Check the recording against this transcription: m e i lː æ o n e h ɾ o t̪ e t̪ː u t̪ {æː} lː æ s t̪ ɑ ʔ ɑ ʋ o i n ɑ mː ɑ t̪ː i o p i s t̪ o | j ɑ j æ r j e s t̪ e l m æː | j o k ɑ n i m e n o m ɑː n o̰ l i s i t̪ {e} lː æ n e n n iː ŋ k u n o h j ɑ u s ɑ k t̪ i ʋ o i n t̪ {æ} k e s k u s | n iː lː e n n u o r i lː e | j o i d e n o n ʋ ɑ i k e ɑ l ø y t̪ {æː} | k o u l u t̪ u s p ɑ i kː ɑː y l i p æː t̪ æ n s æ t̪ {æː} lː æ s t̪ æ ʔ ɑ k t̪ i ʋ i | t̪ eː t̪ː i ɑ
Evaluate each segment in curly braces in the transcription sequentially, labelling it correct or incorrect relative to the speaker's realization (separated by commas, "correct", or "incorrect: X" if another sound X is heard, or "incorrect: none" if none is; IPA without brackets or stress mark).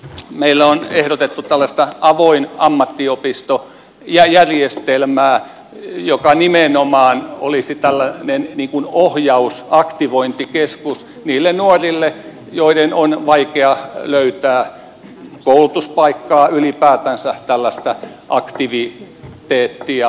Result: incorrect: æ, incorrect: æ, incorrect: i, correct, incorrect: æ